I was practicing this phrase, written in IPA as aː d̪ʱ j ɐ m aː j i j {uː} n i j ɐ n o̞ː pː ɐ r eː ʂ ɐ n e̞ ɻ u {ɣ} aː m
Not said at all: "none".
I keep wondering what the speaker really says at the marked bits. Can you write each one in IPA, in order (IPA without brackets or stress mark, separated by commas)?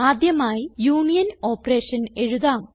uː, ð